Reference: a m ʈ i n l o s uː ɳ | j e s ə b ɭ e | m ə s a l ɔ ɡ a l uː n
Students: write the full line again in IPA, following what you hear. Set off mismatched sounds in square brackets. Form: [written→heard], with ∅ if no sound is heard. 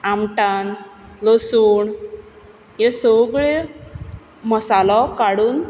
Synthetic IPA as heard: a m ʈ [i→a] n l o s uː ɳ | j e s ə [b→ɡ] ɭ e | m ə s a l ɔ [ɡ→k] a [l→ɽ] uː n